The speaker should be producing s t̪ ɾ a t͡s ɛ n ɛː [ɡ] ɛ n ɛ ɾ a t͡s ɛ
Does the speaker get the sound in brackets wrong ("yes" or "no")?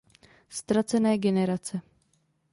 no